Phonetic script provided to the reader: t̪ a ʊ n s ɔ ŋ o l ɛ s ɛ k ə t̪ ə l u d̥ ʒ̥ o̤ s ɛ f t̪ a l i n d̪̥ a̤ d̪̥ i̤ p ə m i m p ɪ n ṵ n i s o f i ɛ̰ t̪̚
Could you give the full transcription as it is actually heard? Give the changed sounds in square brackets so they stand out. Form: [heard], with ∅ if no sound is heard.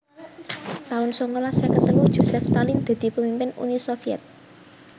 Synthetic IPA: t̪ a ʊ n s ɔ ŋ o l [a] s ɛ k ə t̪ ə l u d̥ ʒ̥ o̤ s ɛ f t̪ a l i n d̪̥ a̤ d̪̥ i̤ p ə m i m p ɪ n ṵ n i s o f i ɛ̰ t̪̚

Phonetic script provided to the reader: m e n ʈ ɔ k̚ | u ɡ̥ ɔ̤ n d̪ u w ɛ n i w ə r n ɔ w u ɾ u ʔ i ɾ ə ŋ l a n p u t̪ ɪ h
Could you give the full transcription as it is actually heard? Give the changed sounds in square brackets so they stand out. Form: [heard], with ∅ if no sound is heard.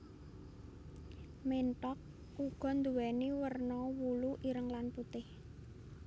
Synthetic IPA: m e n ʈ ɔ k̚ | u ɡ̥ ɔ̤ n d̪ u w ɛ n i w ə r n ɔ w u [l] u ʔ i ɾ ə ŋ l a n p u t̪ ɪ h

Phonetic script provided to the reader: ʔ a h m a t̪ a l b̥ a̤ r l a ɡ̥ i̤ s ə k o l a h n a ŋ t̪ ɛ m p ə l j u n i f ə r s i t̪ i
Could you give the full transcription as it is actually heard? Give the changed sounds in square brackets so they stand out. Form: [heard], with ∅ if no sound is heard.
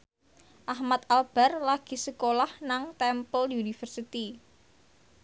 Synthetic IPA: ʔ a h m a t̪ a l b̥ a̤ r l a ɡ̥ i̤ s ə k o l a h n a ŋ t̪ ɛ m p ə l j u n i f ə r s i t̪ i

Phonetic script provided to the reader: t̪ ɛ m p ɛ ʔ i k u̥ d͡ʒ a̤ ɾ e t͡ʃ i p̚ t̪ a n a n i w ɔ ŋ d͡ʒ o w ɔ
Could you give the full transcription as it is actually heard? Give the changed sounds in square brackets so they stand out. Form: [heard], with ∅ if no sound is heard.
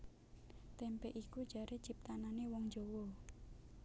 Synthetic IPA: t̪ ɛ m p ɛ ʔ i k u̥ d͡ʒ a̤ ɾ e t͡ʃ i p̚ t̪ a n a n [e] w ɔ ŋ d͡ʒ o w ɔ

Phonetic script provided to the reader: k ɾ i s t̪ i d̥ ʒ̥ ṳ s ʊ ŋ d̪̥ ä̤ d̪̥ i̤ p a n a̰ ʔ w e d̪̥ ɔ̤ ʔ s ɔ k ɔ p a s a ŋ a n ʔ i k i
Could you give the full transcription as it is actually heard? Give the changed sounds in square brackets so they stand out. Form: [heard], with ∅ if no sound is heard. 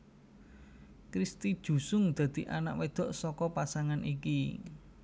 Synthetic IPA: k ɾ i s t̪ i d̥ ʒ̥ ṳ s ʊ ŋ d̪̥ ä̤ d̪̥ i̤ [ʔ] a n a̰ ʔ w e d̪̥ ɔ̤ ʔ s ɔ k ɔ p a s a ŋ a n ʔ i k i

